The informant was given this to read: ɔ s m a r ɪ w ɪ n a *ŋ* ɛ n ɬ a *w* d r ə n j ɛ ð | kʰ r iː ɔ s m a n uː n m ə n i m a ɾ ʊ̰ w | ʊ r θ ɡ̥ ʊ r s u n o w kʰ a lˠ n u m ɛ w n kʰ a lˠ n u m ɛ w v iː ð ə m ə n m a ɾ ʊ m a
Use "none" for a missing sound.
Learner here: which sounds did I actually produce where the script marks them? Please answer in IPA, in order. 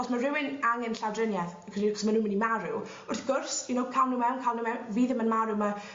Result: ŋ, w

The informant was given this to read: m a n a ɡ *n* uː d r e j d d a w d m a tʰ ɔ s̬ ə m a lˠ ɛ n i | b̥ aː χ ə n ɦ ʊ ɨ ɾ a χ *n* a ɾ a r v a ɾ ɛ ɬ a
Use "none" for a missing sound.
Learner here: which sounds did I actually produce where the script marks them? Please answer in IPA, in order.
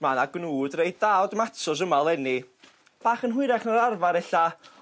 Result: n, n

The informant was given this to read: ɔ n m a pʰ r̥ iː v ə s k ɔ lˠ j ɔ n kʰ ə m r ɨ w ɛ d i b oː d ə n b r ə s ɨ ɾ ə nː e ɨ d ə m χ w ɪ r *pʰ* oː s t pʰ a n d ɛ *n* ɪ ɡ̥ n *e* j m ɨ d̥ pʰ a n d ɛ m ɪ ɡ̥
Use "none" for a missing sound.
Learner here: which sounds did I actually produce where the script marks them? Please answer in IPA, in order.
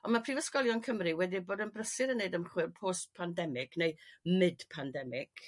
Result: pʰ, m, e

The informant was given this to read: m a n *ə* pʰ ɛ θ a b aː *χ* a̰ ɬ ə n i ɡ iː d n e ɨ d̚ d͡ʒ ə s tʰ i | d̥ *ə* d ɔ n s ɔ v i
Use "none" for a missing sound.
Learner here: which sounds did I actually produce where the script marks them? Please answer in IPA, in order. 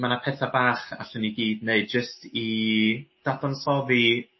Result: a, χ, a

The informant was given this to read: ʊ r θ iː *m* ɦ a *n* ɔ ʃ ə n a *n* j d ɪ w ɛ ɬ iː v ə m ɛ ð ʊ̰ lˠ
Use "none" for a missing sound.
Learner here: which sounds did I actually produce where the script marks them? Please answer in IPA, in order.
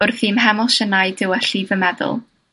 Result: m, m, none

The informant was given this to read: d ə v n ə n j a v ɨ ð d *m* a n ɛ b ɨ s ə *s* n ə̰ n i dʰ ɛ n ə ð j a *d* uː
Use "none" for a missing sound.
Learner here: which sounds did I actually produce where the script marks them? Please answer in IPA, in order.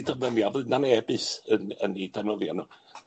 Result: n, none, n

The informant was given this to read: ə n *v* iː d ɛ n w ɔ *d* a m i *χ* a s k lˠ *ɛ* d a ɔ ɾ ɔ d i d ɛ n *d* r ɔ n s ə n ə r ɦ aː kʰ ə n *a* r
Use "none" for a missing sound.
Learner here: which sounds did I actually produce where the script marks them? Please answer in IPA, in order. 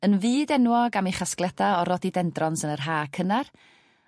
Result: v, ɡ, χ, ɛ, d, a

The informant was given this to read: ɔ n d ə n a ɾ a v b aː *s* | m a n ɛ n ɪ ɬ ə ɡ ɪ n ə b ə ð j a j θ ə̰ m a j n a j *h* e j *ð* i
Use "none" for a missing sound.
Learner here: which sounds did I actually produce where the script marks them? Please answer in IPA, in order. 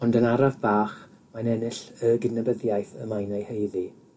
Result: χ, h, ð

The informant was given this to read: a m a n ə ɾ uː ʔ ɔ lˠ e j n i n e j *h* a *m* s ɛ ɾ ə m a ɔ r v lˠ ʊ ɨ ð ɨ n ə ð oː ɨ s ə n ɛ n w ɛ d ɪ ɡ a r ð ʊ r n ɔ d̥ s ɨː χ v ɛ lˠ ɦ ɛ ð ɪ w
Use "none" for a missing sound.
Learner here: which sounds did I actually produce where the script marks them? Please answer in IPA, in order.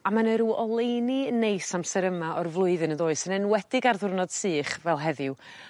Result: s, m

